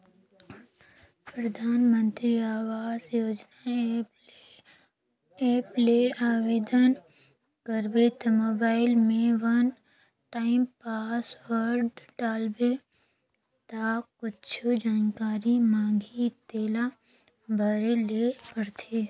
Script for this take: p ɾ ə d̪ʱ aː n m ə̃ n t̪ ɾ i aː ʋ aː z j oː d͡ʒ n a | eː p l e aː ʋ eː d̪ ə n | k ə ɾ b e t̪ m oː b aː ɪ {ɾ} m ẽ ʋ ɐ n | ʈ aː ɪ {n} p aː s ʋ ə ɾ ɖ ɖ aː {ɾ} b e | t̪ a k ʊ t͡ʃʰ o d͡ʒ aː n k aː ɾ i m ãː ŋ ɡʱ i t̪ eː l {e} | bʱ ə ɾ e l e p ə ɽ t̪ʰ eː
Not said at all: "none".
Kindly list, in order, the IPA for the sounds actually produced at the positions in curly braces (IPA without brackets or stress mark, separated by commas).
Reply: l, m, l, a